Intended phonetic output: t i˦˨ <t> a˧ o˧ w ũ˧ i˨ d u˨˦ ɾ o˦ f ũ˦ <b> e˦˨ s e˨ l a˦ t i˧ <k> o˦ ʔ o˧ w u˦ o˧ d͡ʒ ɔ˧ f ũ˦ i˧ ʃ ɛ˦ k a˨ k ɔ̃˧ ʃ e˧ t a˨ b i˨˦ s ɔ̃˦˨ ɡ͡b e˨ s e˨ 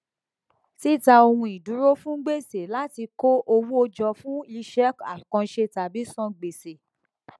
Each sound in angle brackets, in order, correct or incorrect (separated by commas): correct, incorrect, correct